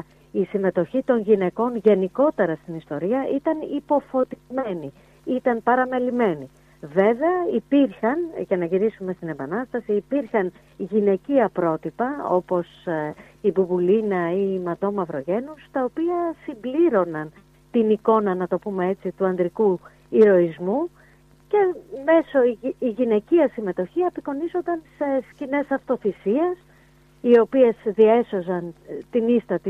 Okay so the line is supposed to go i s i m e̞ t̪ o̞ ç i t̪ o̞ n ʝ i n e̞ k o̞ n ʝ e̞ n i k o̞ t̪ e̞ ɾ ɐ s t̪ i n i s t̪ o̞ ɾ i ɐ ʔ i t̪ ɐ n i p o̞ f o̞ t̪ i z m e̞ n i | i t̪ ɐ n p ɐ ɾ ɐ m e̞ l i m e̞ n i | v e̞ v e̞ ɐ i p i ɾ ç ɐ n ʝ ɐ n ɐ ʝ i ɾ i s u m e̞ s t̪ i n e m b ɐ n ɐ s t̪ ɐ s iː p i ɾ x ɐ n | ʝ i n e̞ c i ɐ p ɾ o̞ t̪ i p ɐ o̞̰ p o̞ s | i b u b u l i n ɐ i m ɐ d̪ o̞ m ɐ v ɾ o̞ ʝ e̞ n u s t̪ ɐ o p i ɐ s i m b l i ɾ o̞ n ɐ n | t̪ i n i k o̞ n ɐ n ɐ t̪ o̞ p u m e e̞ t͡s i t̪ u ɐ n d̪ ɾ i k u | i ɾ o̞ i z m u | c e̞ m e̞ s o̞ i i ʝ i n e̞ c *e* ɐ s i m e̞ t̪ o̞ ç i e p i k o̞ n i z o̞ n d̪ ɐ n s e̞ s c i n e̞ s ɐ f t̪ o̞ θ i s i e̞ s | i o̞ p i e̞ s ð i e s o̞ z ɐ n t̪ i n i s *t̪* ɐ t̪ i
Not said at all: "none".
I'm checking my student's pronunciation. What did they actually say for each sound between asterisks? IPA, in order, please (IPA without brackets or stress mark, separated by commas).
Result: i, t̪